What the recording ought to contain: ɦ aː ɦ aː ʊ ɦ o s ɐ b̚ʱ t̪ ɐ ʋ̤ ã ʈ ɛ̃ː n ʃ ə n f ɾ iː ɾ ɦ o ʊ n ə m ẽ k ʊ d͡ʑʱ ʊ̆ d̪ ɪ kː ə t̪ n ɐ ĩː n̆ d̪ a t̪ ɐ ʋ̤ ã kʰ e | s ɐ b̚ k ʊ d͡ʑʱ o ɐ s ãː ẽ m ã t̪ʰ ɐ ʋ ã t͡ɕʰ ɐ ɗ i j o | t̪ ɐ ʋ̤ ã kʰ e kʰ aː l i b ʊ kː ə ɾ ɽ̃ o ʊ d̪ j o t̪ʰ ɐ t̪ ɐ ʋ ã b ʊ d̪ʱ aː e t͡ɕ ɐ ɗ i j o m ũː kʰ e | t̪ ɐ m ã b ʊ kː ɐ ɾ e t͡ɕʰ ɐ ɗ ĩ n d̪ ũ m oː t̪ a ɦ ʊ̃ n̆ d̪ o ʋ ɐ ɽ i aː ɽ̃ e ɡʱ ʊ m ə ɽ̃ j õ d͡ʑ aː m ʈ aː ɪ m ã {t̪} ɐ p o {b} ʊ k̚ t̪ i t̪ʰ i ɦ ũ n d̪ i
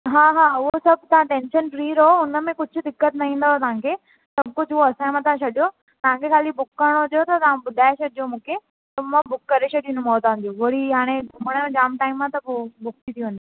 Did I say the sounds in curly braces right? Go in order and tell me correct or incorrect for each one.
correct, correct

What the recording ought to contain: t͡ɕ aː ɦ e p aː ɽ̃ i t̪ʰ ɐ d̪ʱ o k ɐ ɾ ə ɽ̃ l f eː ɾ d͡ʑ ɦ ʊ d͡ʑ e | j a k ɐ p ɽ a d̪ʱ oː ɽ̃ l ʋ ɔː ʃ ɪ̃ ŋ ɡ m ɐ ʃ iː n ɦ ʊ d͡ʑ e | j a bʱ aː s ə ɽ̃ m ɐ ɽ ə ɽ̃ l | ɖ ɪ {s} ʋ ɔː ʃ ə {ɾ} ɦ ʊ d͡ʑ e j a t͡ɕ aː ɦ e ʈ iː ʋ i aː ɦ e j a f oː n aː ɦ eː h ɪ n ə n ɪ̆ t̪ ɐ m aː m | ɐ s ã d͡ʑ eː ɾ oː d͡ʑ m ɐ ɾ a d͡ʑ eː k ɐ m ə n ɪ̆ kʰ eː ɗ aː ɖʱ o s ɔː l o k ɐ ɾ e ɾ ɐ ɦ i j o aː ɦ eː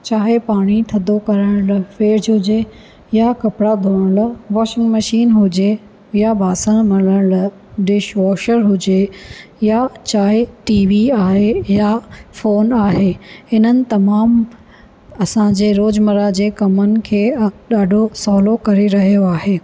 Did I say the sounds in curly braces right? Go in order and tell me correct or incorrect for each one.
incorrect, correct

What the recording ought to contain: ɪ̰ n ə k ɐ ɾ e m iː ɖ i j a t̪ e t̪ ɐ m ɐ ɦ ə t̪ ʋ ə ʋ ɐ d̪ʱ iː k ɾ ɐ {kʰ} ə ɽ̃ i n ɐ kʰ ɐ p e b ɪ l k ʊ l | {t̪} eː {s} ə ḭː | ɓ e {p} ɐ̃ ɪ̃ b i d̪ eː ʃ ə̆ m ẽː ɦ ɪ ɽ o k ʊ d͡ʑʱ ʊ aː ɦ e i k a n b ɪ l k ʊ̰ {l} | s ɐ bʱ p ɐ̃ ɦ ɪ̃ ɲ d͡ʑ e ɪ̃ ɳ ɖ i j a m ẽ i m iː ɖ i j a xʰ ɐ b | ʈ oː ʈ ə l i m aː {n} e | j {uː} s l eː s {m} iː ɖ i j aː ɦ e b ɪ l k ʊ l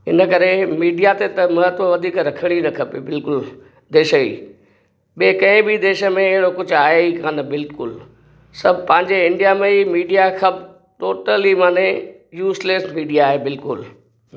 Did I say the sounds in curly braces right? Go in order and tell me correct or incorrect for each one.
correct, incorrect, incorrect, incorrect, correct, correct, correct, correct

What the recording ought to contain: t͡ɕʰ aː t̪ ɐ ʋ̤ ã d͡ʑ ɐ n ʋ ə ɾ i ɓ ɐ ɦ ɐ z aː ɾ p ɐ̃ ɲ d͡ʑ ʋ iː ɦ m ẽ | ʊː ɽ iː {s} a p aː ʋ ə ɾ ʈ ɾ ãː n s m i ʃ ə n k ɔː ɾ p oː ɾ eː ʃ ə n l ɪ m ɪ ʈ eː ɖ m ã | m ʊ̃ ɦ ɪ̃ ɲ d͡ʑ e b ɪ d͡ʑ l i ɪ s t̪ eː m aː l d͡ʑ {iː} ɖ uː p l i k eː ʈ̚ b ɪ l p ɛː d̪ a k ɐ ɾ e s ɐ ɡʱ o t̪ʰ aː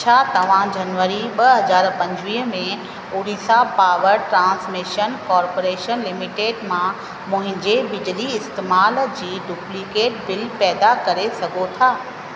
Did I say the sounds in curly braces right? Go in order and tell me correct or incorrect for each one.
correct, correct

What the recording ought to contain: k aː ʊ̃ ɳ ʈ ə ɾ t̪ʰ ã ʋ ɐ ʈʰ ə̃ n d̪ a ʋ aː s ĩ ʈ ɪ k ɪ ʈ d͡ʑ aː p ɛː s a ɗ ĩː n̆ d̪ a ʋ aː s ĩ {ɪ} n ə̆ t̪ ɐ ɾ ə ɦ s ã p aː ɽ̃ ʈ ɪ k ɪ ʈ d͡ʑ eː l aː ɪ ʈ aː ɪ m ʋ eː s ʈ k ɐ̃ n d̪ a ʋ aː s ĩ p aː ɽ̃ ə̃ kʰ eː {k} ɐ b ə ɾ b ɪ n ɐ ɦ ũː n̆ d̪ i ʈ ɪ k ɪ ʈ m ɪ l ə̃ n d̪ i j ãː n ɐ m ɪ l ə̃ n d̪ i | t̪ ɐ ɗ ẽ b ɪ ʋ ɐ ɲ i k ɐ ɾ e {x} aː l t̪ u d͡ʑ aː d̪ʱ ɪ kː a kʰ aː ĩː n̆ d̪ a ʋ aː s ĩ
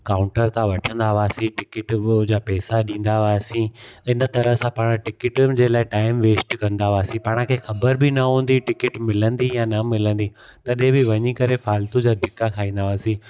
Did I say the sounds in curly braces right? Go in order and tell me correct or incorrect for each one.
correct, incorrect, incorrect

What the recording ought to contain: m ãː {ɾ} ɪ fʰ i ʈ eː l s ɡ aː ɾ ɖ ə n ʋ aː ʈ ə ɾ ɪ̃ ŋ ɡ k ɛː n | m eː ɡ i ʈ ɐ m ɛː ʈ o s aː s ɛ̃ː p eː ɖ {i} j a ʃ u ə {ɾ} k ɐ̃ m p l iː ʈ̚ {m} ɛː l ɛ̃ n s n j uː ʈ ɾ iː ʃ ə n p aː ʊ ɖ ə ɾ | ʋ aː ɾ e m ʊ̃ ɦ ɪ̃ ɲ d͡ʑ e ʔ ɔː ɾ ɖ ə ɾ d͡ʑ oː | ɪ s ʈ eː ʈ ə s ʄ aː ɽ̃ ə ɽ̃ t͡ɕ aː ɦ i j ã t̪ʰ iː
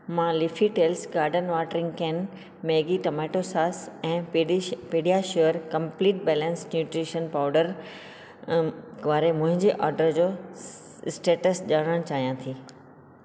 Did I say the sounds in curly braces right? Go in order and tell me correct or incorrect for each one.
incorrect, correct, correct, incorrect

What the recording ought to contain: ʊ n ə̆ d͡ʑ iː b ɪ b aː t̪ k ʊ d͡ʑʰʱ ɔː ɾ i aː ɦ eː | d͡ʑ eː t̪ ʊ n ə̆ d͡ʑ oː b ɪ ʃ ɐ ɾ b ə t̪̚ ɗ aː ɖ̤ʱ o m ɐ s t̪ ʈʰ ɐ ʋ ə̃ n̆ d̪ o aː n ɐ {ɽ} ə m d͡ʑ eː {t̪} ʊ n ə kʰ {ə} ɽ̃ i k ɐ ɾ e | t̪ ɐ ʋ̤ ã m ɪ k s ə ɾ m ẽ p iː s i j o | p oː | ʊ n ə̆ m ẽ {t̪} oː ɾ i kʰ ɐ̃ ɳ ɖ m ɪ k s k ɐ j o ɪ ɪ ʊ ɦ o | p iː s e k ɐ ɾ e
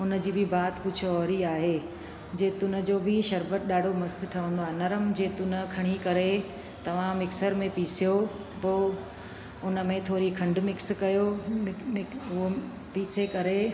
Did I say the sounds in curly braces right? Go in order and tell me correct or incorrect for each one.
incorrect, correct, incorrect, incorrect

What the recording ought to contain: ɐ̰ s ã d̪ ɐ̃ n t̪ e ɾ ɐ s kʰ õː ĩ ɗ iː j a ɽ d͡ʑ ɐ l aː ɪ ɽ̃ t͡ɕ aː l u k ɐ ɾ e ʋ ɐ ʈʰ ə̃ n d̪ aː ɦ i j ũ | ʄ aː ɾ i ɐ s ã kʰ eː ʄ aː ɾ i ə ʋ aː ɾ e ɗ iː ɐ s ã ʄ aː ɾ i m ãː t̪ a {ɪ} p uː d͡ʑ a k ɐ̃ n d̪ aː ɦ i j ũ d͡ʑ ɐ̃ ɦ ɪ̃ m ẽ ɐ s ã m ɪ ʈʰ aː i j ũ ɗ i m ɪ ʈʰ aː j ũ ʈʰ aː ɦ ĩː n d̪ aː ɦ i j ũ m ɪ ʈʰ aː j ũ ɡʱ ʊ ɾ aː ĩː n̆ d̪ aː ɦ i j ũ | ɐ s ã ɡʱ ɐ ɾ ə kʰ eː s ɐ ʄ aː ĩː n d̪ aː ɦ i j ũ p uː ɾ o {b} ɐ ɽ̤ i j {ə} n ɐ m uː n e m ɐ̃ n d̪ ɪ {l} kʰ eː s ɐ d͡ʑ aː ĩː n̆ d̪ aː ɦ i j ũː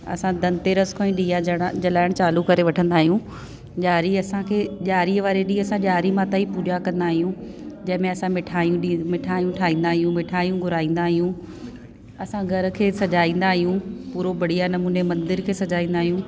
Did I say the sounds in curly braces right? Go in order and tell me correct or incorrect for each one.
incorrect, correct, incorrect, incorrect

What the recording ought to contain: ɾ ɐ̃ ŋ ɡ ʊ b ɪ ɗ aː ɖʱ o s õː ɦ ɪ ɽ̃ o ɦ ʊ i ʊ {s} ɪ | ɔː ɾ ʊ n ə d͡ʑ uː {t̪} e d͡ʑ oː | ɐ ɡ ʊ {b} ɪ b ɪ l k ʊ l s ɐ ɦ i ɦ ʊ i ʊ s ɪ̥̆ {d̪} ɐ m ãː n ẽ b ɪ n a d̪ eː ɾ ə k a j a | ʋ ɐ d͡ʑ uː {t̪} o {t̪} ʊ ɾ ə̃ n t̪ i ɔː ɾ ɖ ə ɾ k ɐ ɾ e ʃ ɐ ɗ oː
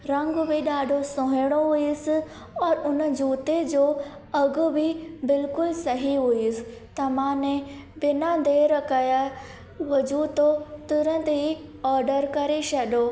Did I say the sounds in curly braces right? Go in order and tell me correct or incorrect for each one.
correct, correct, correct, incorrect, correct, correct

